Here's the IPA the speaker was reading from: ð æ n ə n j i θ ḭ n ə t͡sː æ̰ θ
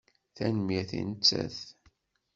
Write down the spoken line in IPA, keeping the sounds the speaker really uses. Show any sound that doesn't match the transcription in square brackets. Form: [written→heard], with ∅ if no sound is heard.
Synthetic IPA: [ð→θ] æ n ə [n→m] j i θ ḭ n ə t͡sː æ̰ θ

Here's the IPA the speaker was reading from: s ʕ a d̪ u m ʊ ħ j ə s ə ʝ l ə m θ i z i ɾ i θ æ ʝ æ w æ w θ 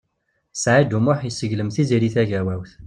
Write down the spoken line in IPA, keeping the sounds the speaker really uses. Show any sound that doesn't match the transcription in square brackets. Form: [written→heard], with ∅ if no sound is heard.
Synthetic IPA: s ʕ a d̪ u m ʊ ħ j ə s ə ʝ l ə m θ i z i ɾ i θ æ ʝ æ w æ w θ

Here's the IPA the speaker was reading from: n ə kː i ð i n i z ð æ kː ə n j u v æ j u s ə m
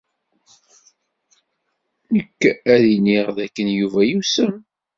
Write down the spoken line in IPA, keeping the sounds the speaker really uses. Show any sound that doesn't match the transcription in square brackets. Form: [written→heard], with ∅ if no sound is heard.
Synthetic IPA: n ə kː [i→æ] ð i n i [z→ʁ] ð æ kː ə n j u v æ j u s ə m

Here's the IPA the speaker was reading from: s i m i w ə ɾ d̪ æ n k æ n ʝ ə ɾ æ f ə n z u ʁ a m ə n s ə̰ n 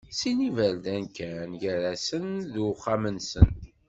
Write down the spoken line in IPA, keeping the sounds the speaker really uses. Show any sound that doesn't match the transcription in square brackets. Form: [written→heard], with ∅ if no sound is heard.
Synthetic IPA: s i [m→n] i [w→v] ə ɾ d̪ æ n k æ n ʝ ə ɾ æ [f→s] ə n [z→ð] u [ʁ→χ] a m ə n s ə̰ n

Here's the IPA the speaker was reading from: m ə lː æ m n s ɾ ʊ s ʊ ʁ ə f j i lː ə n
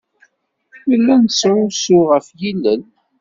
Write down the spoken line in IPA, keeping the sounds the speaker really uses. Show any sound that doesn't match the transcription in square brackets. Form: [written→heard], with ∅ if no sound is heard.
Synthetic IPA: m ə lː æ [m→∅] n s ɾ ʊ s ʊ ʁ ə f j i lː ə n

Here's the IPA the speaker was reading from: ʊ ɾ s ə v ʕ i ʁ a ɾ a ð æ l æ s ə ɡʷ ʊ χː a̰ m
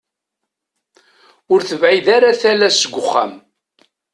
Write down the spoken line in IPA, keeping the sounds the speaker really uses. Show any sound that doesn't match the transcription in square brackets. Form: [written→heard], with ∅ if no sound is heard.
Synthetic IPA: ʊ ɾ [s→θ] ə v ʕ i [ʁ→ð] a ɾ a [ð→θ] æ l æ s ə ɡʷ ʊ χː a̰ m

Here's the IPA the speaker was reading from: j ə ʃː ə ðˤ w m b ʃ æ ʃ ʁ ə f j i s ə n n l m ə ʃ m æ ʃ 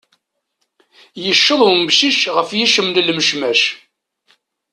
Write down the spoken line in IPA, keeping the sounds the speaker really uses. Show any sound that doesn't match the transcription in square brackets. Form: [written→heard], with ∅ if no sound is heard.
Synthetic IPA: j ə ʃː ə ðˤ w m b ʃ [æ→i] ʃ ʁ ə f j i [s→ʃ] ə [n→m] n l m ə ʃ m æ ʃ

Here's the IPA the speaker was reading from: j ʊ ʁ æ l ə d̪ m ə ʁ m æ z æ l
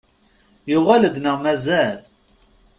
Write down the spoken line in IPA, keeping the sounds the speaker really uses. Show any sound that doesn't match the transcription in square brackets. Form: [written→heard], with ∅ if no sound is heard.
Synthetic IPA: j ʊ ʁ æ l ə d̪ [m→n] ə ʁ m æ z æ l

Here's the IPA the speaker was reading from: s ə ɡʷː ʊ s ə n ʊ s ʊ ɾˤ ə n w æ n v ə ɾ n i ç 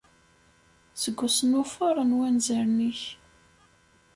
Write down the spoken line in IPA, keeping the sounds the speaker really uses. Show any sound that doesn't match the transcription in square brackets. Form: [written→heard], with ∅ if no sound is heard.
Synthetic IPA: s ə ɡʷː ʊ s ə n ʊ [s→f] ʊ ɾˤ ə n w æ n [v→z] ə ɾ n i ç

